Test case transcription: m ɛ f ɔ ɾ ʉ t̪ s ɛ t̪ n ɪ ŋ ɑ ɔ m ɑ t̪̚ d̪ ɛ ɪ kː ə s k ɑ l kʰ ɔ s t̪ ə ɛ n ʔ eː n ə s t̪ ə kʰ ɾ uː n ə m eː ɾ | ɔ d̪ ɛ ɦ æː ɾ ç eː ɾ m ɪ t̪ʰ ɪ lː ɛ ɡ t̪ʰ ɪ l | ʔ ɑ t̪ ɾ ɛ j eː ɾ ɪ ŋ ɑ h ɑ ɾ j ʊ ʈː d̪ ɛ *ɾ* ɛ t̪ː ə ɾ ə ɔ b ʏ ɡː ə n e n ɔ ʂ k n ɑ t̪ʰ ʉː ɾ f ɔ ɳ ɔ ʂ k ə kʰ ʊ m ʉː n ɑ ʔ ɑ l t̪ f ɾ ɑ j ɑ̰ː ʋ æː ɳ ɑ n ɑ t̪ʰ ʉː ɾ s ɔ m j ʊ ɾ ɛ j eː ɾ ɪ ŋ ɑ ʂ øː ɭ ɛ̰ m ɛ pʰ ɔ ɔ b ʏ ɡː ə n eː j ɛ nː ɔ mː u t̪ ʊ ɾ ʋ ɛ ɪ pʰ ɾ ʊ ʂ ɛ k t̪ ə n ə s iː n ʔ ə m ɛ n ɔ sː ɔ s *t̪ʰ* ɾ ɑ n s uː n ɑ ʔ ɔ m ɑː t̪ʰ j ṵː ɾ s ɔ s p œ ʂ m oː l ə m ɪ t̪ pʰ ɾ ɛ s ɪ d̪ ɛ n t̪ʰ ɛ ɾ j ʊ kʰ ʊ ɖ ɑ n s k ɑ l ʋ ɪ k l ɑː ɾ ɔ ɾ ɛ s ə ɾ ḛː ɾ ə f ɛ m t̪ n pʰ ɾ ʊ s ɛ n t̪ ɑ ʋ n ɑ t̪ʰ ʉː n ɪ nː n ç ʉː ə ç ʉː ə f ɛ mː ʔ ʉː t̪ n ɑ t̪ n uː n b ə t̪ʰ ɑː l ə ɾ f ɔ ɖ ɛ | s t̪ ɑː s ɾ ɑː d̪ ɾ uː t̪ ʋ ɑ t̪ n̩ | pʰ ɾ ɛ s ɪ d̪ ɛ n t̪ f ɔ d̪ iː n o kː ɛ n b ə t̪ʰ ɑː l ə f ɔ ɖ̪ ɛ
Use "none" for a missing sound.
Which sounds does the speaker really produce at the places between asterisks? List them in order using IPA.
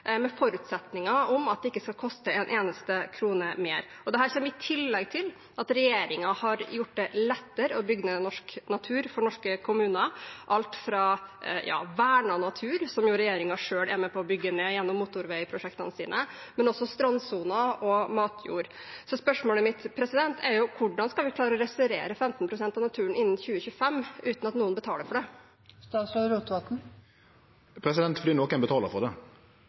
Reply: l, t̪

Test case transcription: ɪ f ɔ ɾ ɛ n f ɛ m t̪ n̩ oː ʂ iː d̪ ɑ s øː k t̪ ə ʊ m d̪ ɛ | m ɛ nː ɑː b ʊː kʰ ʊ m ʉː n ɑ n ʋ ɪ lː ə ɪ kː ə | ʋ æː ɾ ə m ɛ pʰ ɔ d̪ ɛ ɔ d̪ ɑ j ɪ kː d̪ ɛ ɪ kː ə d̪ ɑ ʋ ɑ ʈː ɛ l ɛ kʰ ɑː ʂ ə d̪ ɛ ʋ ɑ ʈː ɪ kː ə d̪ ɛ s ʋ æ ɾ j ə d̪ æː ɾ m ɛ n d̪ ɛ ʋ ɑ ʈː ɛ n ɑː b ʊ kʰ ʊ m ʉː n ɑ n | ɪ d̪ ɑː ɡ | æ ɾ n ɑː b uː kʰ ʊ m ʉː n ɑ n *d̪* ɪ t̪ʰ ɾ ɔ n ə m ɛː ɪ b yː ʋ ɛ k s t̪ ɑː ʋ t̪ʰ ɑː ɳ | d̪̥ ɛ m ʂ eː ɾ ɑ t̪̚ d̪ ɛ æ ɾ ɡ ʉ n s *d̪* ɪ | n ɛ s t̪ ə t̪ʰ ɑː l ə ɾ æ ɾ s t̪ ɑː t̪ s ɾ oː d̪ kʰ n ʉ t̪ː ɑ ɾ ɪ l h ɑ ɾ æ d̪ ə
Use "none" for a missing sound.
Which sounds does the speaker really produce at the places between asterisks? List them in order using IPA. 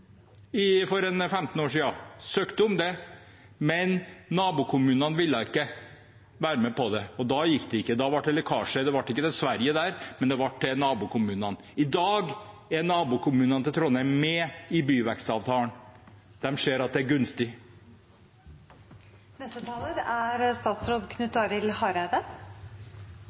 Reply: t̪, t̪

